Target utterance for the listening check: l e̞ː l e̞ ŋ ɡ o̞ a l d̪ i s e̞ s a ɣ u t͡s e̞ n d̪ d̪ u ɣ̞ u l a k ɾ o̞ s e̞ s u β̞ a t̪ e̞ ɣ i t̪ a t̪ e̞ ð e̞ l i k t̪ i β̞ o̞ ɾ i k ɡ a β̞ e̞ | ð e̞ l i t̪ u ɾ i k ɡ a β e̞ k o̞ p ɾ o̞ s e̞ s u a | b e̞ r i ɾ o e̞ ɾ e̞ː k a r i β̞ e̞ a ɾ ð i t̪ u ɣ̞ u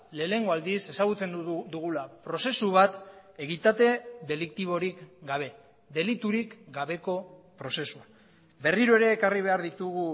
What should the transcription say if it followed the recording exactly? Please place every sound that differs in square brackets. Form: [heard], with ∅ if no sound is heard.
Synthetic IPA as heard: l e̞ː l e̞ ŋ ɡ o̞ a l d̪ i s e̞ s a ɣ u t͡s e̞ n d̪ d̪ u ɣ̞ u l a [p] ɾ o̞ s e̞ s u β̞ a t̪ e̞ ɣ i t̪ a t̪ e̞ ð e̞ l i k t̪ i β̞ o̞ ɾ i k ɡ a β̞ e̞ | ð e̞ l i t̪ u ɾ i k ɡ a β e̞ k o̞ p ɾ o̞ s e̞ s u a | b e̞ r i ɾ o e̞ ɾ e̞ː k a r i β̞ e̞ a ɾ ð i t̪ u ɣ̞ u